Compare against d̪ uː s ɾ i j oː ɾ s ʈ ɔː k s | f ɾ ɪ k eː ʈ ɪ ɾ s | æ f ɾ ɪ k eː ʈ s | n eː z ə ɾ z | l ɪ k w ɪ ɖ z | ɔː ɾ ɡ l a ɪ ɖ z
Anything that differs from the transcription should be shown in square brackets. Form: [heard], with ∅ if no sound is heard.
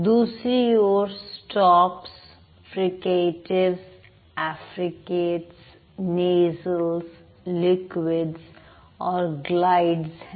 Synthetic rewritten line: d̪ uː s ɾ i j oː ɾ s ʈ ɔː [p] s | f ɾ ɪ k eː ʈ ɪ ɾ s | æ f ɾ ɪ k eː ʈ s | n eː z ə [l] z | l ɪ k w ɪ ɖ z | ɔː ɾ ɡ l a ɪ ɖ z